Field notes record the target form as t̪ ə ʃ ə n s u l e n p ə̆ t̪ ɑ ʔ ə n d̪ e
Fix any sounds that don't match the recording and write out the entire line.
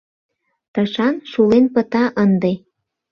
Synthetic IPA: t̪ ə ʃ ɑ n ʃ u l e n p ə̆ t̪ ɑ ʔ ə n d̪ e